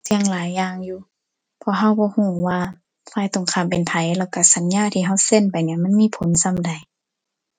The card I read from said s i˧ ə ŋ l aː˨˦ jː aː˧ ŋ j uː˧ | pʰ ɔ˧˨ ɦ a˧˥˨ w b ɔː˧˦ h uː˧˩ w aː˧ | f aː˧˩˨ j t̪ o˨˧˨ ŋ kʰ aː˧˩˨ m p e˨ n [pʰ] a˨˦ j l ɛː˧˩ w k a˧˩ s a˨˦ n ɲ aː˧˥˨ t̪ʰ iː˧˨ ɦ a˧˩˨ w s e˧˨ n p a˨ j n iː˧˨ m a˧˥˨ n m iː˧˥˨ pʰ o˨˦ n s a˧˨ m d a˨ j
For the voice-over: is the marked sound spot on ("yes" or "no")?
yes